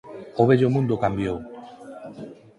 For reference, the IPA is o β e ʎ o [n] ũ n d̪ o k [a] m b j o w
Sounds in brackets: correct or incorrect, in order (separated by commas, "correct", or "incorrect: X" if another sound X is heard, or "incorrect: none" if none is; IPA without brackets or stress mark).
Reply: incorrect: m, correct